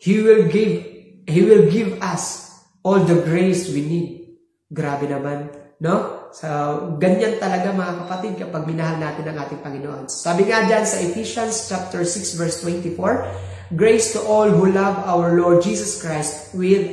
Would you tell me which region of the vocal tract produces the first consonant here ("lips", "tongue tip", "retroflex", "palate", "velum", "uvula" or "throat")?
throat